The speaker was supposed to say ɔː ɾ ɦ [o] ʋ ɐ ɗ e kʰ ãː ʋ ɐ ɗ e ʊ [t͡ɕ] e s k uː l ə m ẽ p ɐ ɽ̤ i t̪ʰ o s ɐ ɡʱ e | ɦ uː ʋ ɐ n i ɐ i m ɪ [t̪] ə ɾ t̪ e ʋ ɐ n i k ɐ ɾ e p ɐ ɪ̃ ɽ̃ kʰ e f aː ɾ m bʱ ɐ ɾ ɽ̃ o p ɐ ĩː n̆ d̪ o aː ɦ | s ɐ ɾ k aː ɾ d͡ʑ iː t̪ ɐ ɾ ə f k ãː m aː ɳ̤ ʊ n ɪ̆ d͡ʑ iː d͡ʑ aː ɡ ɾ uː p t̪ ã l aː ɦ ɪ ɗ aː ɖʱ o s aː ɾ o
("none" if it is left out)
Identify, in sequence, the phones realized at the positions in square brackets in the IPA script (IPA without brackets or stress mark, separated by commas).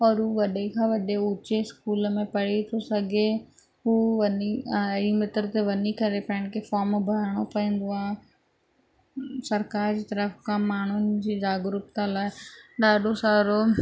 u, t͡ɕ, t̪